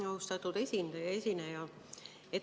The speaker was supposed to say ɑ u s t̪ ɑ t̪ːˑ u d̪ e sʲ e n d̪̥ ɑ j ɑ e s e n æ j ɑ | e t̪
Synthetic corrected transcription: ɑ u s t̪ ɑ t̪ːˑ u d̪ e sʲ i n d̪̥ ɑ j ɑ e s i n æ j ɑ | e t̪